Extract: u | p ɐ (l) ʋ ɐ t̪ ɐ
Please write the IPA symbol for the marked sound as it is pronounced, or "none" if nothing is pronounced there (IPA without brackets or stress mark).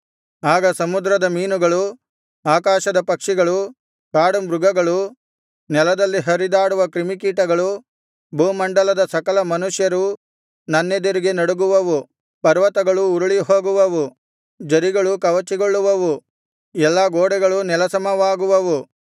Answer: ɾ